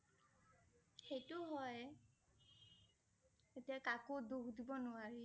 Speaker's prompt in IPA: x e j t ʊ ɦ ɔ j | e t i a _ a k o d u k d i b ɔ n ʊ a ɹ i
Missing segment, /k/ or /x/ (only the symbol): k